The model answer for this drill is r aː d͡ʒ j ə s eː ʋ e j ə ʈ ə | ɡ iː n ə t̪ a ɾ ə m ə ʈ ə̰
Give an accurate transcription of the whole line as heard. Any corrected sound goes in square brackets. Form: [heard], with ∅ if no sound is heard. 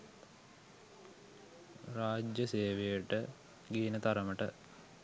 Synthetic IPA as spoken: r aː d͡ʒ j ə s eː ʋ e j ə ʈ ə | ɡ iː n ə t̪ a ɾ ə m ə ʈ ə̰